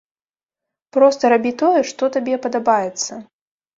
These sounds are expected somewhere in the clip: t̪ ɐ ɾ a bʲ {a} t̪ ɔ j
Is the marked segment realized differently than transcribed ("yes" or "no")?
yes